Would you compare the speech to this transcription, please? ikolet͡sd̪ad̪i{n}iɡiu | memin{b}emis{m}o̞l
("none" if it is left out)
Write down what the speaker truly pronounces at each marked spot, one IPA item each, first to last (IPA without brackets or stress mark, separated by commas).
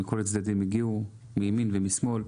m, v, m